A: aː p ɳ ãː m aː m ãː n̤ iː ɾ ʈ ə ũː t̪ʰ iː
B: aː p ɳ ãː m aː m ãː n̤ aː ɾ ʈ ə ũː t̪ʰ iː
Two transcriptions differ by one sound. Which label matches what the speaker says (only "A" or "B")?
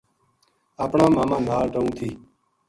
B